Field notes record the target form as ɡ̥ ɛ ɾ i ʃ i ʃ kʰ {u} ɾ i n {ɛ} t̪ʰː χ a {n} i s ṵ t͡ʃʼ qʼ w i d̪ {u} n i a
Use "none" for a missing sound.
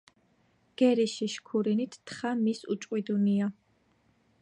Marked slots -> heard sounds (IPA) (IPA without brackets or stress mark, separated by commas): u, i, m, u